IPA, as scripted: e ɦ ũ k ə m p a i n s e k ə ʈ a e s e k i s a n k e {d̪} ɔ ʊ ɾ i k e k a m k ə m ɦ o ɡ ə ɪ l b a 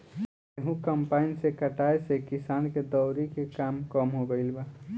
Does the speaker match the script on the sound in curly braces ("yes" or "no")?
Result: yes